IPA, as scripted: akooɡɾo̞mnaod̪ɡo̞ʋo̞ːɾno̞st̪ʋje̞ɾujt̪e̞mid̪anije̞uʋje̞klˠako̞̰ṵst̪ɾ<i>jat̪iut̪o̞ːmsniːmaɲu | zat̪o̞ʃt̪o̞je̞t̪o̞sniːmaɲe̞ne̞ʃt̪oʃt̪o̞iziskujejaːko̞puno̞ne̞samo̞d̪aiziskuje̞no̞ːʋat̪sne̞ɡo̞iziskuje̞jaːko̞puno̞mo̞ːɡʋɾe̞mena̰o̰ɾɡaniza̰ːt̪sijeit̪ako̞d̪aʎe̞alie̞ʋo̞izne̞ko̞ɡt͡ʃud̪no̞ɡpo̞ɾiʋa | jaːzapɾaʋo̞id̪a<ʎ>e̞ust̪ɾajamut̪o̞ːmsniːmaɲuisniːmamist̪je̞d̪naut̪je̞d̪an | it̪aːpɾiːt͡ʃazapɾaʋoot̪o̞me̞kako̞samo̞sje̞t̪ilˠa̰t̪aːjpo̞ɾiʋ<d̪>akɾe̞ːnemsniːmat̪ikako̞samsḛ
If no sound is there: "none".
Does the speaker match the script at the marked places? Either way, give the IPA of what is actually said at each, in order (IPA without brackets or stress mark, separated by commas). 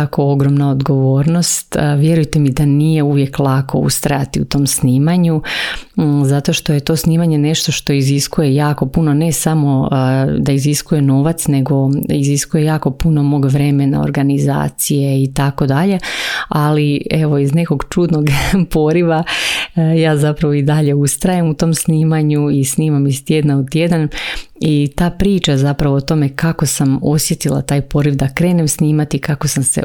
a, ʎ, d̪